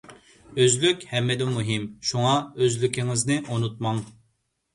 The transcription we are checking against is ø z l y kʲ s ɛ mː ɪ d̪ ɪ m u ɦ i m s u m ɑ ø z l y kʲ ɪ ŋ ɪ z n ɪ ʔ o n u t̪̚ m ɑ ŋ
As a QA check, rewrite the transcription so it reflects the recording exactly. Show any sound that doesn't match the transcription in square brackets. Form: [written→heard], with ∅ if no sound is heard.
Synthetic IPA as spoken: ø z l y kʲ [s→h] ɛ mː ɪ d̪ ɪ m u ɦ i m [s→ʃ] u [m→ŋ] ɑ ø z l y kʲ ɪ ŋ ɪ z n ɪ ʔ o n u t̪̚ m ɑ ŋ